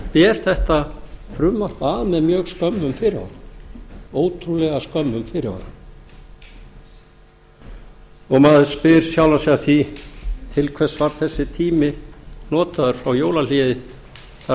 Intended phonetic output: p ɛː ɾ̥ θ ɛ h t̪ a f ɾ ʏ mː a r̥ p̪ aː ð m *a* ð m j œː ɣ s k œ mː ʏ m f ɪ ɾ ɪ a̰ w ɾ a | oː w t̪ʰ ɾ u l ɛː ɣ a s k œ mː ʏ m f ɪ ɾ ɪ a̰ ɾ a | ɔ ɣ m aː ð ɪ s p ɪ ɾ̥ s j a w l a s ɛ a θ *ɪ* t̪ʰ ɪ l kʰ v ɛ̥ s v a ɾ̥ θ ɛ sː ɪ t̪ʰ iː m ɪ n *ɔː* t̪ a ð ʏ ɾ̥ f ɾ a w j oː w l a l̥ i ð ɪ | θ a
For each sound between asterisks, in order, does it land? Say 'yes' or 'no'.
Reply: no, no, yes

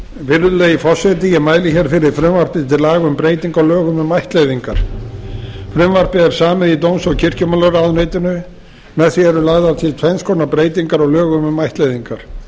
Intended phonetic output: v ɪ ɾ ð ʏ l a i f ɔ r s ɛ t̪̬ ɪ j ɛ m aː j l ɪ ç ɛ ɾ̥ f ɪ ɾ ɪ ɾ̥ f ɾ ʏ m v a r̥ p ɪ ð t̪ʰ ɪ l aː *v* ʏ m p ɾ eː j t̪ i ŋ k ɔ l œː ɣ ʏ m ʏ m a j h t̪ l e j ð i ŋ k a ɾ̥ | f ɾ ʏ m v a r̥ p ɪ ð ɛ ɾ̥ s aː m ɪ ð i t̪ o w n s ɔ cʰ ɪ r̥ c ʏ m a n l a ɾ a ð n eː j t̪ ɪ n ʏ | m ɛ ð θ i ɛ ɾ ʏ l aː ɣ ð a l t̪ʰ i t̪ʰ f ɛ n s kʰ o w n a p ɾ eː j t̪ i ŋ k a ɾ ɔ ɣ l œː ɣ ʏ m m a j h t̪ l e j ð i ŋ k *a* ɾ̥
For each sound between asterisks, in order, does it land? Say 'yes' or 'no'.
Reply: no, yes

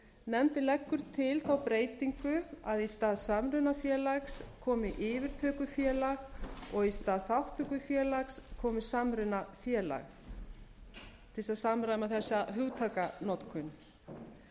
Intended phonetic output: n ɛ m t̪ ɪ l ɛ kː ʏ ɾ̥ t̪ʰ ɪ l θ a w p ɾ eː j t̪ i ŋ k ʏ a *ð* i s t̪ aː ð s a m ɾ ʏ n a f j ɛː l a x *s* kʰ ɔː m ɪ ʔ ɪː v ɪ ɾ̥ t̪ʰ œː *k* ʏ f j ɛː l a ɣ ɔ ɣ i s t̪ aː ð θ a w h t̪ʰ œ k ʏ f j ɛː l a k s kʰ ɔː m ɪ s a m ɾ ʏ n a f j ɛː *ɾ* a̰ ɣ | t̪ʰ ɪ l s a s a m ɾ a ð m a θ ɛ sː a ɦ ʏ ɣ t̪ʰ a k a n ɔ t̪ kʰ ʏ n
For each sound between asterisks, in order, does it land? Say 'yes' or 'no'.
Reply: yes, yes, yes, no

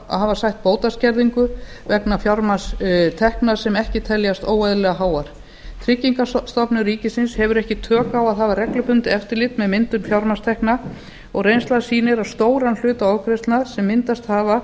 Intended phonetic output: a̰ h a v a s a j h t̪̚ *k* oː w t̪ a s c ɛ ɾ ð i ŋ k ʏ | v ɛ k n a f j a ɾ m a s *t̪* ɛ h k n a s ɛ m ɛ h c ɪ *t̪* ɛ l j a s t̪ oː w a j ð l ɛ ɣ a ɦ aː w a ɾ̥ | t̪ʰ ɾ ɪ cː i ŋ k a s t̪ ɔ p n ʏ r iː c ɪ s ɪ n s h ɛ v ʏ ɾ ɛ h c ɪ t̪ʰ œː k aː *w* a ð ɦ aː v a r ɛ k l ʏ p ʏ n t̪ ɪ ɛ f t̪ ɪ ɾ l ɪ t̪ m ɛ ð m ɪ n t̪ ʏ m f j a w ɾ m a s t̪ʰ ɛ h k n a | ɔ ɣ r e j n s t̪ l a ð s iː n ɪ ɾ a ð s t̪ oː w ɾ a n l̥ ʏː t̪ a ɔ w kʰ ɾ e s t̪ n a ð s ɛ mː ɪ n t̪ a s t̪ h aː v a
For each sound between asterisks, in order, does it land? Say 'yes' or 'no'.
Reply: no, no, no, yes

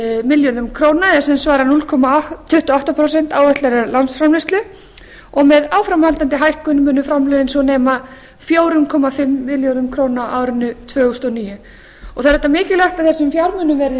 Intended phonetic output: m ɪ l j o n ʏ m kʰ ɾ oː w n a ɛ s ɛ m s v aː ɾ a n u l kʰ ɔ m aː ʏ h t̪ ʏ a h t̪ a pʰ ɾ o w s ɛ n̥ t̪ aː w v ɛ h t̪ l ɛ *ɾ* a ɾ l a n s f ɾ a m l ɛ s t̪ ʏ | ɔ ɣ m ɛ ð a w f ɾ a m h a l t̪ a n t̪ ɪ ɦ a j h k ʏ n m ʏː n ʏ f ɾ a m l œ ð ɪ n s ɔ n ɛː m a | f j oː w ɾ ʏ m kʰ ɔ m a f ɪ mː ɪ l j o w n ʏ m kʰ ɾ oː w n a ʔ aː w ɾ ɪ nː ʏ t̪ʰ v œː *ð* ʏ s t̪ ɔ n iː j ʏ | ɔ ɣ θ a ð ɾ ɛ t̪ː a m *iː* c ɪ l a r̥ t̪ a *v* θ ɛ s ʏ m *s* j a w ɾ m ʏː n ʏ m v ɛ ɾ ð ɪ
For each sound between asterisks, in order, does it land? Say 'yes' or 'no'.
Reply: yes, no, no, no, no

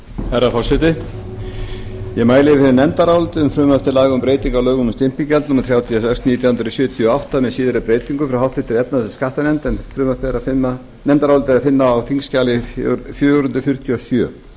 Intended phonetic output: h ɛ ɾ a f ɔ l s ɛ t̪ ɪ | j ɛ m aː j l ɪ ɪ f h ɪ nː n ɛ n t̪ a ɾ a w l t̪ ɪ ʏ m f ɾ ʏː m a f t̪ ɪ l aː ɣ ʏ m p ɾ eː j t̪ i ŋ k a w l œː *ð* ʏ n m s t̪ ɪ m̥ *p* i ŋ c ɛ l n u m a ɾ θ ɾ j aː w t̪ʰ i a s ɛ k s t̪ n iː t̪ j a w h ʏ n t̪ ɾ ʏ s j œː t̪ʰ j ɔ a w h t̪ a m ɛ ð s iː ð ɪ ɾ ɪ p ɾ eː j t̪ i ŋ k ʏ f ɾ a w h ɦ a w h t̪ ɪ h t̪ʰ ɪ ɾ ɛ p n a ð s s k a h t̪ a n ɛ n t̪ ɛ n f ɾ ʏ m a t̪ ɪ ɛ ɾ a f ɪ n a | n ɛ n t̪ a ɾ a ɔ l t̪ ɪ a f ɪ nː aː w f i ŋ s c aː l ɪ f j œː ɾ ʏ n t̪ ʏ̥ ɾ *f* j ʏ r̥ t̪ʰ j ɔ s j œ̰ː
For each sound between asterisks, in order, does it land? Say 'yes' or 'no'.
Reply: no, yes, yes

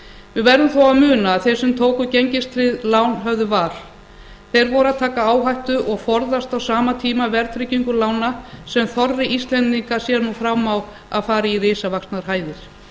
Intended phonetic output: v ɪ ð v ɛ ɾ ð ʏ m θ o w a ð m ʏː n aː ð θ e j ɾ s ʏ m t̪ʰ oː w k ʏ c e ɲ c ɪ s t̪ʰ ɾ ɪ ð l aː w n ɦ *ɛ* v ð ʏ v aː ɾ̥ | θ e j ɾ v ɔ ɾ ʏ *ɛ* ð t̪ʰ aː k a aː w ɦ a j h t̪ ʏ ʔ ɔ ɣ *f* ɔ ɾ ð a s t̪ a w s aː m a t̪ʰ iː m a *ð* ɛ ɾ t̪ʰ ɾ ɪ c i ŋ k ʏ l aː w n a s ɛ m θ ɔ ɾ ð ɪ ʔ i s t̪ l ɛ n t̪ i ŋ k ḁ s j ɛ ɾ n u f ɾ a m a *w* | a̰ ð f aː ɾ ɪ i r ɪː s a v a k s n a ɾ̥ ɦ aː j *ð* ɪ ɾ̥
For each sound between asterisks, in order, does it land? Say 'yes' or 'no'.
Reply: no, no, yes, no, yes, yes

